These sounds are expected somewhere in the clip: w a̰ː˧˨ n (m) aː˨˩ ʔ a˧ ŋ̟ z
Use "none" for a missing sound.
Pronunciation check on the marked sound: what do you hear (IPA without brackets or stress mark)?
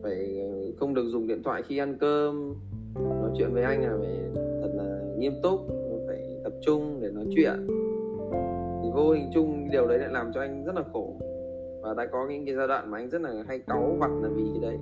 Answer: m